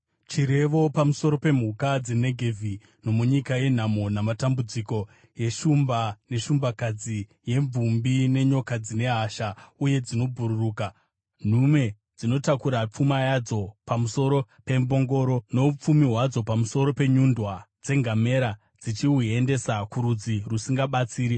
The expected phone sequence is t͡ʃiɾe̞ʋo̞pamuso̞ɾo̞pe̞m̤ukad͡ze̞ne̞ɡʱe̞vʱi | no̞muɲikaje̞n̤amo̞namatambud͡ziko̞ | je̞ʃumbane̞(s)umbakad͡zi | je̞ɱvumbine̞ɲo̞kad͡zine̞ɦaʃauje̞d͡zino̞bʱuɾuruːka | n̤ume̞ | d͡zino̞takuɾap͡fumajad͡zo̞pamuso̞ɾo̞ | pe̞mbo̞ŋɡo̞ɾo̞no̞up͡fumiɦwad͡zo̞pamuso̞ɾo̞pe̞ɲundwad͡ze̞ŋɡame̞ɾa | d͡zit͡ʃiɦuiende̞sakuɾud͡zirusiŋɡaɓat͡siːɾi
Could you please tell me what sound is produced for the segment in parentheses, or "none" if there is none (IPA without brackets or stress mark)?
ʃ